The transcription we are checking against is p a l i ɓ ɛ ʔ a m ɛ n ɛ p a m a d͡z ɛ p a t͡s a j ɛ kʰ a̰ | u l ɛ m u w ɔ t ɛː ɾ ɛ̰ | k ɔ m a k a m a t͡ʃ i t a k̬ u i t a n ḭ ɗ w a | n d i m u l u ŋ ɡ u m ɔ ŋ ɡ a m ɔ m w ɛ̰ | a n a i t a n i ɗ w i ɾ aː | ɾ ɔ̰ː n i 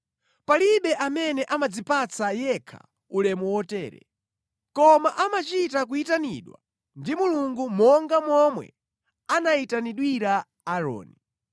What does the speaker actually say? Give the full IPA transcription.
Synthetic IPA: p a l i ɓ ɛ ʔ a m ɛ n ɛ ʔ a m a d͡z i p a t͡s a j ɛ kʰ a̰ | u l ɛ m u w ɔ t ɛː ɾ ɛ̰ | k ɔ m a ʔ a m a t͡ʃ i t a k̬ u i t a n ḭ ɗ w a | n d i m u l u ŋ ɡ u m ɔ ŋ ɡ a m ɔ m w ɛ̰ | a n a i t a n i ɗ w i ɾ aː | ɾ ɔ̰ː n i